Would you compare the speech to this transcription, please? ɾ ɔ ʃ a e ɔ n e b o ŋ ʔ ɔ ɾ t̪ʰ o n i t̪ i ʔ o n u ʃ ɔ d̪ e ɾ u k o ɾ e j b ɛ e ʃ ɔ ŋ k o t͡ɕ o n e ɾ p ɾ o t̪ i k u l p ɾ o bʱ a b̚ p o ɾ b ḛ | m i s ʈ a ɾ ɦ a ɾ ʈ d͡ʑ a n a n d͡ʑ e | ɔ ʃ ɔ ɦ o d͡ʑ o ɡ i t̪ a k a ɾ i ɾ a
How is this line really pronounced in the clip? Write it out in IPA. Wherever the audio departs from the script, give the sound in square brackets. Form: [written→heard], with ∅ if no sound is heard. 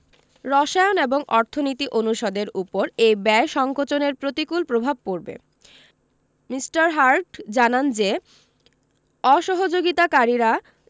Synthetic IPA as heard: ɾ ɔ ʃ a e [ɔ→o] n e b o ŋ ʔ ɔ ɾ t̪ʰ o n i t̪ i ʔ o n u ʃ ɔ d̪ e ɾ u [k→p] o ɾ e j b ɛ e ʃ ɔ ŋ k o t͡ɕ o n e ɾ p ɾ o t̪ i k u l p ɾ o bʱ a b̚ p o ɾ b ḛ | m i s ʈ a ɾ ɦ a ɾ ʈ d͡ʑ a n a n d͡ʑ e | ɔ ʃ ɔ ɦ o d͡ʑ o ɡ i t̪ a k a ɾ i ɾ a